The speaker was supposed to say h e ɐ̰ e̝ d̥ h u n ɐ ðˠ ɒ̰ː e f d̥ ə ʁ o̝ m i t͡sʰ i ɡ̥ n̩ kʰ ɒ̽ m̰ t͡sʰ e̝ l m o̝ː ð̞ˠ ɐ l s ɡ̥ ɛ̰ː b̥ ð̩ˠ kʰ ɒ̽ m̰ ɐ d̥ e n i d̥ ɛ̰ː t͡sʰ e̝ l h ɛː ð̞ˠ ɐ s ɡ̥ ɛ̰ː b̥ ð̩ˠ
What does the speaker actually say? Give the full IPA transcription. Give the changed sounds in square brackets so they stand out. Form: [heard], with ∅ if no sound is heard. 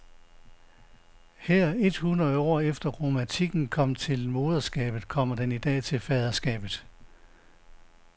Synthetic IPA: h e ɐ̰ e̝ d̥ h u n ɐ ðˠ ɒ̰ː e f d̥ [ɐ] ʁ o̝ m [æ] t͡sʰ i ɡ̥ n̩ kʰ ɒ̽ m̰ t͡sʰ e̝ l m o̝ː ð̞ˠ ɐ [∅] s ɡ̥ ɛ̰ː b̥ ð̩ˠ kʰ ɒ̽ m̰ ɐ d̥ e n i d̥ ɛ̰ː t͡sʰ e̝ l [f] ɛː ð̞ˠ ɐ s ɡ̥ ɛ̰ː b̥ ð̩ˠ